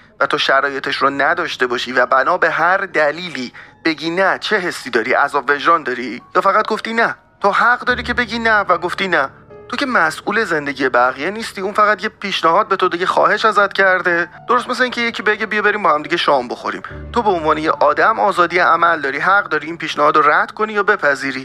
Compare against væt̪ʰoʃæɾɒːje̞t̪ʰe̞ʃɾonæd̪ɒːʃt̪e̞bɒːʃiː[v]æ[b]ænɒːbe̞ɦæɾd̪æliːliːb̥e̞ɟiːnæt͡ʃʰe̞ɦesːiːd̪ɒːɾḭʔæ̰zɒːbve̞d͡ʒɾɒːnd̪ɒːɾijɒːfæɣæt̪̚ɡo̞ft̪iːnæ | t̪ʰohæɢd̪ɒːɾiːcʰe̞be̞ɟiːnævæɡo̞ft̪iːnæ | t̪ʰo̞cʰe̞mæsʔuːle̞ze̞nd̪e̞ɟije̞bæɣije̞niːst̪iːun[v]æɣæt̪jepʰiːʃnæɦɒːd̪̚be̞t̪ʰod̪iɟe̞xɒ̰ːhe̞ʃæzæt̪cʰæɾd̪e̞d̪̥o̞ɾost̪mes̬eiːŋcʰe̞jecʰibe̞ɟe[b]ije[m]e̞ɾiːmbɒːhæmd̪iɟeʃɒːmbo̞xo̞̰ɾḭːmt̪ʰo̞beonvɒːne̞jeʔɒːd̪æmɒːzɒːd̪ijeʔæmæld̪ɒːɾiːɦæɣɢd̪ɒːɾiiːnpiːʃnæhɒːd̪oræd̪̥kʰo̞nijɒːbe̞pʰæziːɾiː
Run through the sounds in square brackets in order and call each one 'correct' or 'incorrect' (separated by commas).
correct, correct, incorrect, correct, incorrect